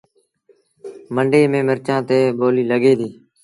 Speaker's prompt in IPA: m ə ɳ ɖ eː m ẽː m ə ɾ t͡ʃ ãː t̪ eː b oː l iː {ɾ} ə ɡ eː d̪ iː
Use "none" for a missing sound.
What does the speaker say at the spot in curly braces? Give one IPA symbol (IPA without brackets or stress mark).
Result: l